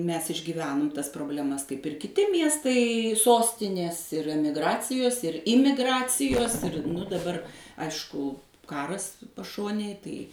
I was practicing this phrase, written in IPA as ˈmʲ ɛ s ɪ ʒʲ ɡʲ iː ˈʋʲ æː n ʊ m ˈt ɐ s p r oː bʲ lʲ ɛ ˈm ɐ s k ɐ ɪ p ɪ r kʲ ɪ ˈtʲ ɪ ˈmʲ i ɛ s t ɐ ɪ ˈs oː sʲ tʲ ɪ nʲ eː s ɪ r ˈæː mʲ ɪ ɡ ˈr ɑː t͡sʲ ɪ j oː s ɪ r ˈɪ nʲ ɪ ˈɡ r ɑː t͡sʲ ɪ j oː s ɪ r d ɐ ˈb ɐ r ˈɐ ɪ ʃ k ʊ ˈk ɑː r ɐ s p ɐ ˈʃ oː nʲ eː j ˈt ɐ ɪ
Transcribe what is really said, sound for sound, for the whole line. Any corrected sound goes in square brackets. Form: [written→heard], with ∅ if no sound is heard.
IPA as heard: ˈmʲ ɛ s ɪ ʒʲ ɡʲ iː ˈʋʲ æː n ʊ m ˈt ɐ s p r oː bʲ lʲ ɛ ˈm ɐ s k ɐ ɪ p ɪ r kʲ ɪ ˈtʲ ɪ ˈmʲ i ɛ s t ɐ ɪ ˈs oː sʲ tʲ ɪ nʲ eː s ɪ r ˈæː mʲ ɪ ɡ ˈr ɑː t͡sʲ ɪ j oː s ɪ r ˈɪ [nʲ→mʲ] ɪ ˈɡ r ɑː t͡sʲ ɪ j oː s ɪ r d ɐ ˈb ɐ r ˈɐ ɪ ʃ k ʊ ˈk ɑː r ɐ s p ɐ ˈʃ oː nʲ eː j ˈt ɐ ɪ